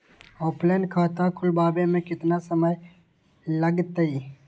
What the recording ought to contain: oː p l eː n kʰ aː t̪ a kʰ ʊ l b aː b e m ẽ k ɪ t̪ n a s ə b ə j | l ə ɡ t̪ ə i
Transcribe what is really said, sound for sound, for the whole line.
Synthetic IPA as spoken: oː p l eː n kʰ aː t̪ a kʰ ʊ l b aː b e m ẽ k ɪ t̪ n a s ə m ə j | l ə ɡ t̪ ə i